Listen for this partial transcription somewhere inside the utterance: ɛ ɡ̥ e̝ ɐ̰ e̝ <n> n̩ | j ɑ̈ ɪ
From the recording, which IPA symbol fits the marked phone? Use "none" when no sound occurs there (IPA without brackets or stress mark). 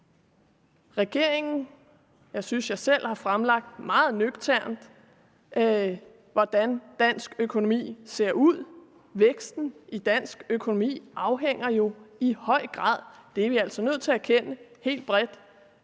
ŋ